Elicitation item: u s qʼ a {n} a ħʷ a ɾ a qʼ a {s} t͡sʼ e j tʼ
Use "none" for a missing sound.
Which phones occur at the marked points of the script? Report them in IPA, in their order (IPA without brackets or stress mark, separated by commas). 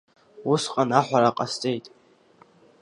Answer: n, s